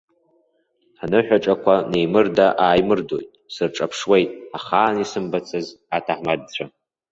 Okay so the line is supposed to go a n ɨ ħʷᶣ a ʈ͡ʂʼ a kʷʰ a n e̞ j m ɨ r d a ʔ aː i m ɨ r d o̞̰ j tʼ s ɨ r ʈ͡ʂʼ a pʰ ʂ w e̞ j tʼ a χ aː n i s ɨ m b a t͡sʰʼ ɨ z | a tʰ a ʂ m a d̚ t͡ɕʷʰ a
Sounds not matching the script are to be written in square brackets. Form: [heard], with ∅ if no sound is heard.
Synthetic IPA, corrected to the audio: a n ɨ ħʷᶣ a ʈ͡ʂʼ a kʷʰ a n e̞ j m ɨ r d a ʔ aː [j] m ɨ r d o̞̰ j tʼ s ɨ r ʈ͡ʂʼ a pʰ ʂ w e̞ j tʼ a χ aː n i s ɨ m b a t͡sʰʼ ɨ z | a tʰ a [ħ] m a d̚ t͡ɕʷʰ a